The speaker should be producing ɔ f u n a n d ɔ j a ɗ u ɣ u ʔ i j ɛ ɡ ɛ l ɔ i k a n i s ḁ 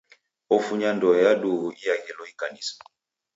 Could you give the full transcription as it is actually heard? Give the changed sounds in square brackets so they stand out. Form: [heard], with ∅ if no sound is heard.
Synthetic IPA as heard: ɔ f u [ɲ] a n d ɔ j a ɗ u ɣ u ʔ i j [a] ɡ ɛ l ɔ i k a n i s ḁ